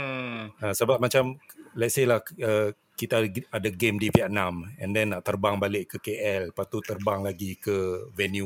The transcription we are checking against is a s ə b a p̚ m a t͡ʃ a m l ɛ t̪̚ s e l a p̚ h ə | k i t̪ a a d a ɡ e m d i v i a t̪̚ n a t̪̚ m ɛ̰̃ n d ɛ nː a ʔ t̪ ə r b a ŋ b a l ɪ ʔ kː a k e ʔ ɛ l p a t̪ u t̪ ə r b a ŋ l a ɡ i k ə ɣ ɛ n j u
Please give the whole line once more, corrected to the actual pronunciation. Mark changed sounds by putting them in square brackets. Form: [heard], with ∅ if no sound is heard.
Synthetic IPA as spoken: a s ə b a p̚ m a t͡ʃ a m l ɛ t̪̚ s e l a [∅] h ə | k i t̪ a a d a ɡ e m d i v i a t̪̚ n a [∅] m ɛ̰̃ n d ɛ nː a ʔ t̪ ə r b a ŋ b a l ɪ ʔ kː [ə] k e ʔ ɛ l p a t̪ u t̪ ə r b a ŋ l a ɡ i k ə [v] ɛ n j u